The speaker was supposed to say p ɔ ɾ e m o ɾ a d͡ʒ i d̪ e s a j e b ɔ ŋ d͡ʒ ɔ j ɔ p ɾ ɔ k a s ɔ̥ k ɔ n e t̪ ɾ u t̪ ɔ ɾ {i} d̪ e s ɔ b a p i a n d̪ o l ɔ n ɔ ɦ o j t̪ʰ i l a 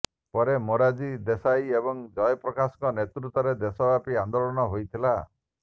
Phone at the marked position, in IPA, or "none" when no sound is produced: e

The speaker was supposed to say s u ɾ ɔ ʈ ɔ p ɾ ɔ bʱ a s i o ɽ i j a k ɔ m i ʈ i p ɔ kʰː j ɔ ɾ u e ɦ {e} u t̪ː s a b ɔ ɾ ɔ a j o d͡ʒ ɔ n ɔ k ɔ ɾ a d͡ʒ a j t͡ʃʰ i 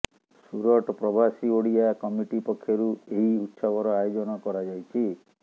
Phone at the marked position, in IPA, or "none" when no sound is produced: i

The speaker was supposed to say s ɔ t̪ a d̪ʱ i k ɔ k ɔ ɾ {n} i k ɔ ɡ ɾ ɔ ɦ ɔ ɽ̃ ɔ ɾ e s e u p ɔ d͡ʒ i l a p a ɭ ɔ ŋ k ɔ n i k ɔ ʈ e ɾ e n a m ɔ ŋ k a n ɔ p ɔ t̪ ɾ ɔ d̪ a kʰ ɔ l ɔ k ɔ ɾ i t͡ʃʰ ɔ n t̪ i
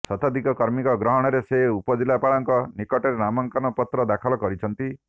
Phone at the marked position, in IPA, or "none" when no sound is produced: m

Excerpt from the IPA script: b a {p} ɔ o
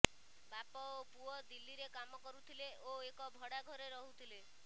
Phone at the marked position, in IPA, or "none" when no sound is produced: p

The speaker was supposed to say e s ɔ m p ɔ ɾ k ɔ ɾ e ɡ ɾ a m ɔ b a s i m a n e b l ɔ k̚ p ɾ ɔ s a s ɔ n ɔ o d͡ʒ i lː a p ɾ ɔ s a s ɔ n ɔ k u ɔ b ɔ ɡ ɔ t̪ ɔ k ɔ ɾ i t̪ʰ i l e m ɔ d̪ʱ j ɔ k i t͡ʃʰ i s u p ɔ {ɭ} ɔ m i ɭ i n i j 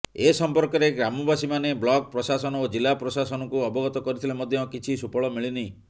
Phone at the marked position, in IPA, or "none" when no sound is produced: ɭ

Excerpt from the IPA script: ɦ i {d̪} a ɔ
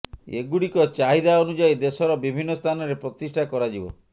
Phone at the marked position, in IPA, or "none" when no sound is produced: d̪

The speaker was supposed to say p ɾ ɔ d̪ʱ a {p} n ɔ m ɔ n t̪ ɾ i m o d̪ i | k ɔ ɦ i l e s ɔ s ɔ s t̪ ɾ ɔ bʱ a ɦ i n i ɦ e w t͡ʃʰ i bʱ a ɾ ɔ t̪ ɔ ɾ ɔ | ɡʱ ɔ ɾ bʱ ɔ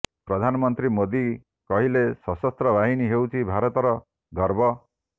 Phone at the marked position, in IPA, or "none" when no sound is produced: none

